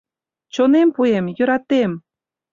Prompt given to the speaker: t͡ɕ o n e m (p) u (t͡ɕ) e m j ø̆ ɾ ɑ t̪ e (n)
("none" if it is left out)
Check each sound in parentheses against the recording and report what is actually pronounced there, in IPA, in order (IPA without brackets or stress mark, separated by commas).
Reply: p, none, m